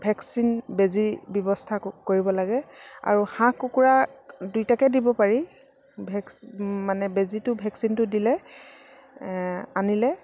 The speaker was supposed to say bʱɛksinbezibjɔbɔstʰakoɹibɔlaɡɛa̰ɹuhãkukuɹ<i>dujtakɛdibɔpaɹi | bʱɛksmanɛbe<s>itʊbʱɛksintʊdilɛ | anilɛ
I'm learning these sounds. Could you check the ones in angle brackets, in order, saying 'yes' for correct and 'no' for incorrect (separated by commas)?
no, no